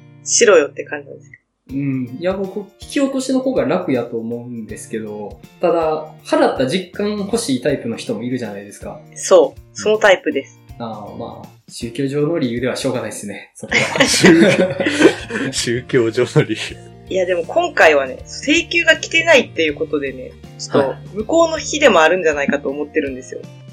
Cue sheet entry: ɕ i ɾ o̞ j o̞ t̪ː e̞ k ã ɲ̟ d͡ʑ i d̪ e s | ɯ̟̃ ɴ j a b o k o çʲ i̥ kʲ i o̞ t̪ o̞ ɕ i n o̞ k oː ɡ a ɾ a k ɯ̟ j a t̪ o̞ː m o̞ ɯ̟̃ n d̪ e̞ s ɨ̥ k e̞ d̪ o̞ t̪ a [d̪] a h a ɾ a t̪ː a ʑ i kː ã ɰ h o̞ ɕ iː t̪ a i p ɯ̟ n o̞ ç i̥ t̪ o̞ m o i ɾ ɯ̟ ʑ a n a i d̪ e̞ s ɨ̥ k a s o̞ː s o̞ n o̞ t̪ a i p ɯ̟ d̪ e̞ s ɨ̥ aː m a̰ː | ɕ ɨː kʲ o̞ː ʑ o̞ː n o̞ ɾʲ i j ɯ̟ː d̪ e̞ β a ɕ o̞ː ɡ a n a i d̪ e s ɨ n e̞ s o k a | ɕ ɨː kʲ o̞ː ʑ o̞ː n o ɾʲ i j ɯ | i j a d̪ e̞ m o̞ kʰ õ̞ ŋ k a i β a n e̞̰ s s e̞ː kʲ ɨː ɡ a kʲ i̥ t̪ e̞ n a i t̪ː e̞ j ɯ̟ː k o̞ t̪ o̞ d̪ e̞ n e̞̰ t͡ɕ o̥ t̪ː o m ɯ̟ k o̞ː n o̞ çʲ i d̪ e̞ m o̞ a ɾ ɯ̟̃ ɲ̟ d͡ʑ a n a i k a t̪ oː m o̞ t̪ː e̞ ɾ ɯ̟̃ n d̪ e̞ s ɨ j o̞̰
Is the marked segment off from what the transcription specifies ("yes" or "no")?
no